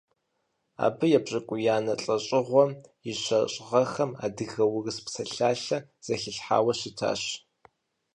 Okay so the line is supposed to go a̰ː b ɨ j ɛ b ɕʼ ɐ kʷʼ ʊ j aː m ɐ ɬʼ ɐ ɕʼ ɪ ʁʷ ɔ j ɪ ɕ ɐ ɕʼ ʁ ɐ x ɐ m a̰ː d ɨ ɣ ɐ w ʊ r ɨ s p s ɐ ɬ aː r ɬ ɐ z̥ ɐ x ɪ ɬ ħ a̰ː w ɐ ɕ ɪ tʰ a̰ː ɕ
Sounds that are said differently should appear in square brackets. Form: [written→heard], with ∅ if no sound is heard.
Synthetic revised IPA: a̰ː b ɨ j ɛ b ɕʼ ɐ kʷʼ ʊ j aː [m→n] ɐ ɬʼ ɐ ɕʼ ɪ ʁʷ ɔ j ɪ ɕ ɐ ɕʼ ʁ ɐ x ɐ m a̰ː d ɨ ɣ ɐ w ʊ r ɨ s p s ɐ ɬ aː [r→∅] ɬ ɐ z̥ ɐ x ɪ ɬ ħ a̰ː w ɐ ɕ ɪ tʰ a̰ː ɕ